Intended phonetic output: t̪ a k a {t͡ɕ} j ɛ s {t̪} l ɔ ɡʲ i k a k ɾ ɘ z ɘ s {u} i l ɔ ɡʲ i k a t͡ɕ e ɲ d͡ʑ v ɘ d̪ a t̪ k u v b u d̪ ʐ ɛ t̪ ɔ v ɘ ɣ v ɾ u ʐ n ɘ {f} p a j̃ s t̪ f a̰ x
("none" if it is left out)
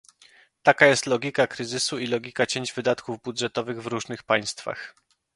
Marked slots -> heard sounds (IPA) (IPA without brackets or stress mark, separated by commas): none, t̪, u, x